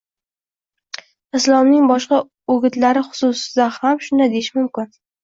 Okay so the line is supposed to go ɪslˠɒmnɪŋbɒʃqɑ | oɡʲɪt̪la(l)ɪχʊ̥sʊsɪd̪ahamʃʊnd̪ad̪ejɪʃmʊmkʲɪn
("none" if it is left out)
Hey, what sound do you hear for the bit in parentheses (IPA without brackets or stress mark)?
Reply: ɾ